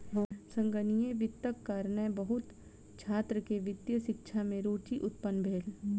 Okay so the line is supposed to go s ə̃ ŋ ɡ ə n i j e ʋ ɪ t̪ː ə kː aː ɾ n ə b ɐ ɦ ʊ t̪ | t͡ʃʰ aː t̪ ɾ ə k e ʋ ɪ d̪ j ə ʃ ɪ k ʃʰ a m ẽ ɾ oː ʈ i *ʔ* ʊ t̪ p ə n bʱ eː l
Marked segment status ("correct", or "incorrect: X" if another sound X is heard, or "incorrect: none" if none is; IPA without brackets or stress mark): correct